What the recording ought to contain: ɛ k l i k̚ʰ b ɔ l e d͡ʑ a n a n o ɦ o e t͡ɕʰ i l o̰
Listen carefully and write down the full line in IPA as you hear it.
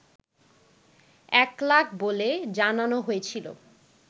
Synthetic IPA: ɛ k l a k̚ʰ b o l e d͡ʑ a n a n o ɦ o e t͡ɕʰ i l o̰